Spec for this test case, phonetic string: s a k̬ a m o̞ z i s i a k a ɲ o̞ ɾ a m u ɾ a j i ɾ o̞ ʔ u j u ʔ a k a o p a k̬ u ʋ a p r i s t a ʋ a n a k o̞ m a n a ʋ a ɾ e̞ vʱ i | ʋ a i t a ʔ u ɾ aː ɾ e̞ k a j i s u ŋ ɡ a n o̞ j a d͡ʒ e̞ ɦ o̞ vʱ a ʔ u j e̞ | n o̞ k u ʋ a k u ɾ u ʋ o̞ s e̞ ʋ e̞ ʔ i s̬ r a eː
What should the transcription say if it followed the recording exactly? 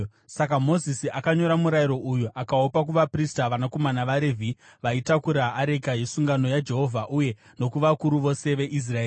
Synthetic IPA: s a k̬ a m o̞ z i s i a k a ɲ o̞ ɾ a m u ɾ a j i ɾ o̞ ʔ u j u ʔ a k a o p a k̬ u ʋ a p r i s t a ʋ a n a k o̞ m a n a ʋ a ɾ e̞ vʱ i | ʋ a i t a k u ɾ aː ɾ e̞ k a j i s u ŋ ɡ a n o̞ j a d͡ʒ e̞ ɦ o̞ vʱ a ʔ u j e̞ | n o̞ k u ʋ a k u ɾ u ʋ o̞ s e̞ ʋ e̞ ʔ i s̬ r a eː